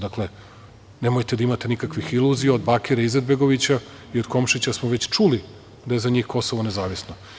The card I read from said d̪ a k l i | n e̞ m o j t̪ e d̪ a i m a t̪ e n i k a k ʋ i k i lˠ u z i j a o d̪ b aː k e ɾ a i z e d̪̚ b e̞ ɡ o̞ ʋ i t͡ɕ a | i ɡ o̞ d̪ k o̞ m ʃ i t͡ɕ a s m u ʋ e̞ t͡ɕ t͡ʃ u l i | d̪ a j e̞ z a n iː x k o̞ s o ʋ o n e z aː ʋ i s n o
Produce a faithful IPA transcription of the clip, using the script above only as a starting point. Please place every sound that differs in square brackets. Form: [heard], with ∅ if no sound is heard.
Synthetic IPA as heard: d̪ a k l [e] | n e̞ m o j t̪ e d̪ a i m a t̪ e n i k a k ʋ i [x] i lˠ u z i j a o d̪ b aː k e ɾ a i z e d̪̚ b e̞ ɡ o̞ ʋ i t͡ɕ a | i [∅] o̞ d̪ k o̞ m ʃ i t͡ɕ a s m [o] ʋ e̞ t͡ɕ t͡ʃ u l i | d̪ a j e̞ z a [ɲ] iː x k o̞ s o ʋ o n e z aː ʋ i s n o